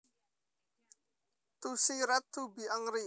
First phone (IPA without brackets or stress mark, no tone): t̪